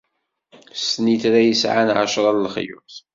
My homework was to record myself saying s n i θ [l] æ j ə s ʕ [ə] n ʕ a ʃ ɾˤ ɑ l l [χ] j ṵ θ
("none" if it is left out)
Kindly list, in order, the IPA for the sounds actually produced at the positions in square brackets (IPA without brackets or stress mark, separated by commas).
ɾ, a, χ